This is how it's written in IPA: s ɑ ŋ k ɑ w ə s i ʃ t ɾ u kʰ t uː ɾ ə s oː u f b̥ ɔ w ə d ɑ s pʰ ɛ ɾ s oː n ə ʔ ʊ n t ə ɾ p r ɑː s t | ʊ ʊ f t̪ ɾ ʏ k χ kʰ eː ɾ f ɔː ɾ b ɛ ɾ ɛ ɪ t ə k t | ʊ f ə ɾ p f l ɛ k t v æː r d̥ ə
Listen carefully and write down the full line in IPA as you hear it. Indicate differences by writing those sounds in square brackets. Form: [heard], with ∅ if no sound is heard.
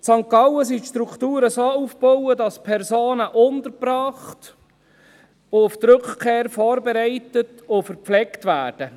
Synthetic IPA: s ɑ ŋ k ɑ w ə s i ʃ t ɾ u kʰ t uː ɾ ə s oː u f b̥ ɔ w ə d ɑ s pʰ ɛ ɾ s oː n ə ʔ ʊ n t ə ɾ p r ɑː [χ] t | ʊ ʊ f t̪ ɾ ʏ k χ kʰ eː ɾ f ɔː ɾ b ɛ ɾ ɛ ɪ t ə [∅] t | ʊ f ə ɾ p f l ɛ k t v æː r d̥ ə

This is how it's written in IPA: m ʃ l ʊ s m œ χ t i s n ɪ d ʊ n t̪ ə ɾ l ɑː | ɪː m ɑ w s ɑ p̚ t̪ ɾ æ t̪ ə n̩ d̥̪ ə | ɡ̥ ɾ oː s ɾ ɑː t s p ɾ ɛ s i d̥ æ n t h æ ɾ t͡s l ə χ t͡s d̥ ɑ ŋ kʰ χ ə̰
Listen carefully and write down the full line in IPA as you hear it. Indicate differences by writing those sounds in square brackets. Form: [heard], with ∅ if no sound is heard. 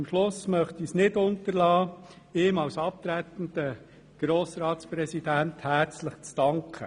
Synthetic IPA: m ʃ l ʊ s m œ χ t i s n ɪ d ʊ n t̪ ə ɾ l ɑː | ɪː m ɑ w s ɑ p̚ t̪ ɾ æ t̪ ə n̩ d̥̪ ə | ɡ̥ ɾ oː s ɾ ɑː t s p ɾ ɛ s i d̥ æ n t h æ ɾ t͡s l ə χ t͡s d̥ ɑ ŋ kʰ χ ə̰

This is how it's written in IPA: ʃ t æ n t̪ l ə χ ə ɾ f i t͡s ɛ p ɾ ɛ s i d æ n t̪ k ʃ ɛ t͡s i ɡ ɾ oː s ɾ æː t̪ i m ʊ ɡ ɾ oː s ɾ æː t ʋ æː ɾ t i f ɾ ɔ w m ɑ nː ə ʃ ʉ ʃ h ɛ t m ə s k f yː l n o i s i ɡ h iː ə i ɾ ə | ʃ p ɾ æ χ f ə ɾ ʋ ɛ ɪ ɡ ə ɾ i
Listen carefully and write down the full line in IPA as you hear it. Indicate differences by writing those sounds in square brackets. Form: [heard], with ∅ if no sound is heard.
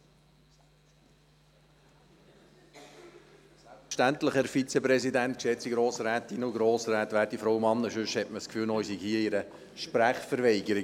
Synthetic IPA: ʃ t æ n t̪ l ə χ ə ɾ f i t͡s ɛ p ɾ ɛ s i d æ n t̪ k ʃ ɛ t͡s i ɡ ɾ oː s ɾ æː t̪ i [n] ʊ ɡ ɾ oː s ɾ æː t ʋ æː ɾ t i f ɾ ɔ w m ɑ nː ə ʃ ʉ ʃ h ɛ t m ə s k f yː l n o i s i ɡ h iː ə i ɾ ə | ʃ p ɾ æ χ f ə ɾ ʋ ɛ ɪ ɡ ə ɾ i

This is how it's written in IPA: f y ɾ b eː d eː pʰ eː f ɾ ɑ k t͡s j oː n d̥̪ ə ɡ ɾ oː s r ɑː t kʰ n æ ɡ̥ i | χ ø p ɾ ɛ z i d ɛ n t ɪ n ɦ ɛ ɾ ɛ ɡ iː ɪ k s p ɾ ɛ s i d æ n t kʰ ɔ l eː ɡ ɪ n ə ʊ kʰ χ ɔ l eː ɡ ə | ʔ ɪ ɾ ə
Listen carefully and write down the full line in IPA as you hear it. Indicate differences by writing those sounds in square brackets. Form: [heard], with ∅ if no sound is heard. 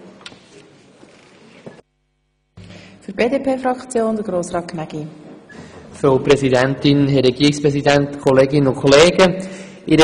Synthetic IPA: f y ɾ b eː d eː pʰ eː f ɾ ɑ k t͡s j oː n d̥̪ ə ɡ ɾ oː s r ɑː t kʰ n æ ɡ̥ i | [f] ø p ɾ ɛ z i d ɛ n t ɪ n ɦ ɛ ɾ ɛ ɡ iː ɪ k s p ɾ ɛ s i d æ n t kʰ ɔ l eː ɡ ɪ n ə ʊ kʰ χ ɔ l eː ɡ ə | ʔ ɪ ɾ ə

